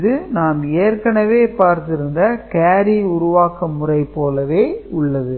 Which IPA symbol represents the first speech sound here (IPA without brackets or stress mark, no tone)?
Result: ð